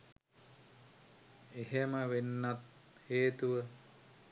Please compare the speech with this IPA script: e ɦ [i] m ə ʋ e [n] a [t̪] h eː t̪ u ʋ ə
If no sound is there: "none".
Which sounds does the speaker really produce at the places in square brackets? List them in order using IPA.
e, nː, t̪

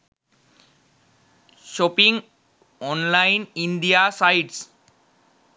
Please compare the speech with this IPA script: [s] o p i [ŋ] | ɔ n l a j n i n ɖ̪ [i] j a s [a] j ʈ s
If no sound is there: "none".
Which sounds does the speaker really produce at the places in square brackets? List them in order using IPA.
ʃ, ŋ, i, a

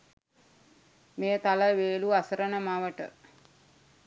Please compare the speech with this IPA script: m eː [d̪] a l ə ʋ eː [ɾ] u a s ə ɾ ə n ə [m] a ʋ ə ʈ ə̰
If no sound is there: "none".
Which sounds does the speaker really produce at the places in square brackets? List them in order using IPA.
t̪, l, m

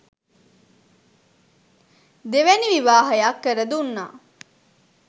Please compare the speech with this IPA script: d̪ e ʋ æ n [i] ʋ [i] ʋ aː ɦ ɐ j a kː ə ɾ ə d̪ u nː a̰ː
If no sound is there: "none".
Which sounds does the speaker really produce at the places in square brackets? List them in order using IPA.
i, i

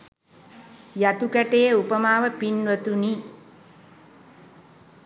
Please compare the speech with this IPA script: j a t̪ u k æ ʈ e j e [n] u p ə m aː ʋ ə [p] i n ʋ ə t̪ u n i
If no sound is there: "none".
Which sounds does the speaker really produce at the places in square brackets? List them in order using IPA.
none, p

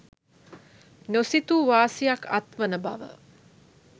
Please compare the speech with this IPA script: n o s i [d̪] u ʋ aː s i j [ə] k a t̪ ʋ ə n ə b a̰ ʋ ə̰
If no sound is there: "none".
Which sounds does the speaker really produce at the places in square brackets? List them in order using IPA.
t̪, a

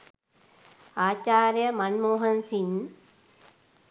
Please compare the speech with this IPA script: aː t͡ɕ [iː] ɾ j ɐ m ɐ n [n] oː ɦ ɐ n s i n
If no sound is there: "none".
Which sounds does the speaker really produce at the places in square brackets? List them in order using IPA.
aː, m

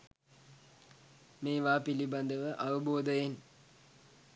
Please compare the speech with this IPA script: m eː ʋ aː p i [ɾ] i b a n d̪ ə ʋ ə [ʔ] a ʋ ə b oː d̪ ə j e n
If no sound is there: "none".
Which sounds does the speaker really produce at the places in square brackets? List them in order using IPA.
l, ʔ

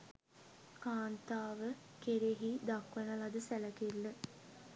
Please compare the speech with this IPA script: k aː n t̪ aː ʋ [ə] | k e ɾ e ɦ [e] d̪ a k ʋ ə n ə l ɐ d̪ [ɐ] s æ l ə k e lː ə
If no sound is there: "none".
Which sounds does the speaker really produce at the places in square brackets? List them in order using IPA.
ə, i, ə

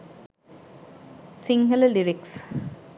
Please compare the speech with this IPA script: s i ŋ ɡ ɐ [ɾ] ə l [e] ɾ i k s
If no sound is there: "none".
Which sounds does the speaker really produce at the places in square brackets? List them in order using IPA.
l, i

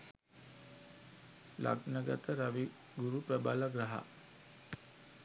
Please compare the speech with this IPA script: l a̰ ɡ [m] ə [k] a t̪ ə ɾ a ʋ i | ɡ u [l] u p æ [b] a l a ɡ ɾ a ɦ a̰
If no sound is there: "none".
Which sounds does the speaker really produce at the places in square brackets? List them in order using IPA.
n, ɡ, ɾ, b

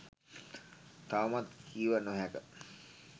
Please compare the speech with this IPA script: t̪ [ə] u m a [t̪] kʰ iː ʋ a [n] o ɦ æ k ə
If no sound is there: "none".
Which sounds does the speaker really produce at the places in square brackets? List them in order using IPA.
a, t̪, n

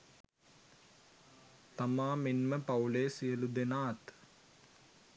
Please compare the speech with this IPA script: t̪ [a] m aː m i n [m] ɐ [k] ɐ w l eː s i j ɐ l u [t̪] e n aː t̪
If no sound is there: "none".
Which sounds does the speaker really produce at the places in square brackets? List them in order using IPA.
ɐ, m, p, d̪

